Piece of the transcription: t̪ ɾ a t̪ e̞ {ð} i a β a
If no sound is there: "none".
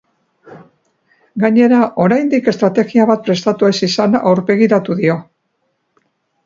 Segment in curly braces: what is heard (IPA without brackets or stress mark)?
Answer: ɣ